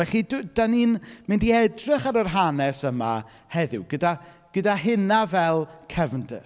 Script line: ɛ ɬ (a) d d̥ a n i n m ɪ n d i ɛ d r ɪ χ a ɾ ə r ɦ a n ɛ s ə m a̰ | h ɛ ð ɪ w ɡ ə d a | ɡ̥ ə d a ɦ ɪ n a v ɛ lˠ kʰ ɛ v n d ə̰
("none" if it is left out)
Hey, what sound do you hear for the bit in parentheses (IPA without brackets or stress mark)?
i